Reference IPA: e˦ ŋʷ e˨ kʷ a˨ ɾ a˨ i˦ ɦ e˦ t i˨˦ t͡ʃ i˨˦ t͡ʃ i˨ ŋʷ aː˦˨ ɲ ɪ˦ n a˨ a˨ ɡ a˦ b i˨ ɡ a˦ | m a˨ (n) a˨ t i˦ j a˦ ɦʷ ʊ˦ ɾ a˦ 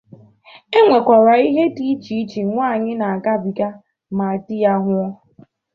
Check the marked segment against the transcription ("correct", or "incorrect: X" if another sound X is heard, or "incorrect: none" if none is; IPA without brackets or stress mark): incorrect: none